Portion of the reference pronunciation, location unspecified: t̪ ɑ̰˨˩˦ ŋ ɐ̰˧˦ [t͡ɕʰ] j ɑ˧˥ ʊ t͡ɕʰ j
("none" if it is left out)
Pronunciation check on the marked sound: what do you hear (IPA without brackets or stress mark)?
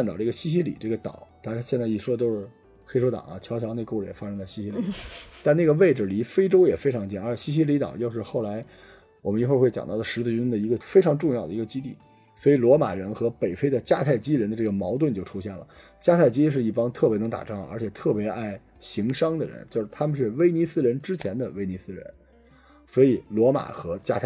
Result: t͡ɕʰ